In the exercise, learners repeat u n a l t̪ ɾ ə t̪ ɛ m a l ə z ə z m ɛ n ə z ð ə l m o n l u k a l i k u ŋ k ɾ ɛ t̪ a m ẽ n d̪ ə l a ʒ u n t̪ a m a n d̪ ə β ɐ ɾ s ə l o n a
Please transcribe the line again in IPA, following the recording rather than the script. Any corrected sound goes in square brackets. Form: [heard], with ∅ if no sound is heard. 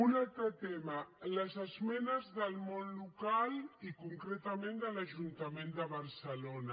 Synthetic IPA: u n a l t̪ ɾ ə t̪ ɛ m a l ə z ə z m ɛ n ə z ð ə l m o n l u k a l i k u ŋ k ɾ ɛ t̪ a m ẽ n d̪ ə l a ʒ u n t̪ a m [e] n d̪ ə β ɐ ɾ s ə l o n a